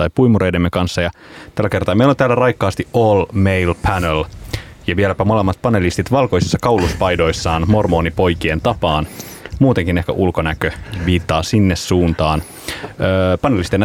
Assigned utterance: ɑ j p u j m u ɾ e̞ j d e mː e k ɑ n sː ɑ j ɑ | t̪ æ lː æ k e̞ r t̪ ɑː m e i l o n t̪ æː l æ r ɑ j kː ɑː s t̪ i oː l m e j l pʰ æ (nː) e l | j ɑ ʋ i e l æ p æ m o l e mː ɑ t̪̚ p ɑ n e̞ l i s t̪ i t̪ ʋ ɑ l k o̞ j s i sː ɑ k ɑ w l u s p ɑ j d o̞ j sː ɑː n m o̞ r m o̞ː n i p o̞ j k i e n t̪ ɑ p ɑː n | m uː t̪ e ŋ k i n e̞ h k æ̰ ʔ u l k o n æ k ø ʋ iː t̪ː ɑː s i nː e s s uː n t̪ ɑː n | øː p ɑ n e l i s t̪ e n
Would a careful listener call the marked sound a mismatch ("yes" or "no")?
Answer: yes